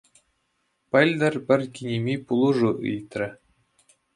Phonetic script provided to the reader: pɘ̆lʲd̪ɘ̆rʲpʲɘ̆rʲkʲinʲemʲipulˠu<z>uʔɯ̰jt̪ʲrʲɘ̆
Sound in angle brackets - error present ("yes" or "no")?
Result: yes